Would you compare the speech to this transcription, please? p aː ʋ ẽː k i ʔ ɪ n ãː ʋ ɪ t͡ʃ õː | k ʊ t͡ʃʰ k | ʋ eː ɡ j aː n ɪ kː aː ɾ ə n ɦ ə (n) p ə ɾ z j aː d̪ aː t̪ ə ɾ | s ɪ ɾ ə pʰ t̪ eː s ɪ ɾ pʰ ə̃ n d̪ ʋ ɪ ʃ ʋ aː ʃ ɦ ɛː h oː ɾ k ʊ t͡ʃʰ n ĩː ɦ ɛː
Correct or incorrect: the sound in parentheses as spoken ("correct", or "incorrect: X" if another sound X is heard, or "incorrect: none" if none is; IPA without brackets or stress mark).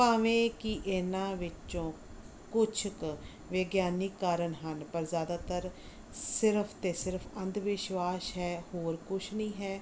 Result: correct